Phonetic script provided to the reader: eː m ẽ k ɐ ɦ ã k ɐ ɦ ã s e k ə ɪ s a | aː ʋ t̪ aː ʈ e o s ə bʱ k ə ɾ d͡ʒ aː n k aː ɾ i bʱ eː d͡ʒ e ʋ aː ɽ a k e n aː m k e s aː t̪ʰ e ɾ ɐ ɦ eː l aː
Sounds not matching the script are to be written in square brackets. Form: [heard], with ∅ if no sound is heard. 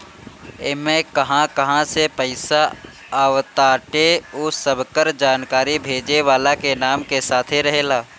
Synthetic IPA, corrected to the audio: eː m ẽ k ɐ ɦ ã k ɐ ɦ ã s e [p] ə ɪ s a | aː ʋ t̪ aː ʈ e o s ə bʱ k ə ɾ d͡ʒ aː n k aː ɾ i bʱ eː d͡ʒ e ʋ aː [l] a k e n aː m k e s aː t̪ʰ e ɾ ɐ ɦ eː l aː